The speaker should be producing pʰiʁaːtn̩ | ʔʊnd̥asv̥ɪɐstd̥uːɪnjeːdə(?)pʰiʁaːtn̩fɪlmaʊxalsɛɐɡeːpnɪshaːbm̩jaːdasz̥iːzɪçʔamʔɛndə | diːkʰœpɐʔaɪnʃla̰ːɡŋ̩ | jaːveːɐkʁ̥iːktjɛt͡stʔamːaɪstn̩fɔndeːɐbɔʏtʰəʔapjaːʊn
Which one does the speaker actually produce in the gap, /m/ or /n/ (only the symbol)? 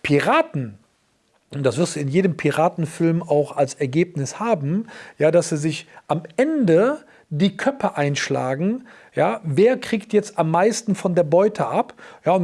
m